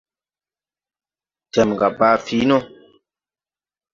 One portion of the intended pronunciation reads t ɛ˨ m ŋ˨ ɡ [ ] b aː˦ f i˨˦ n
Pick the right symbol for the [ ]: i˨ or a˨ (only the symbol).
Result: a˨